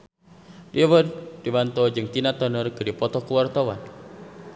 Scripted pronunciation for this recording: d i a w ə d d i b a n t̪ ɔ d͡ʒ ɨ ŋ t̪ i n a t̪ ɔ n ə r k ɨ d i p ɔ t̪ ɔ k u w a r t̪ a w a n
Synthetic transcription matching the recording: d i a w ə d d i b a n t̪ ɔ d͡ʒ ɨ ŋ t̪ i n a t̪ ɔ n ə r k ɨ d i p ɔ t̪ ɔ k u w a r t̪ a w a n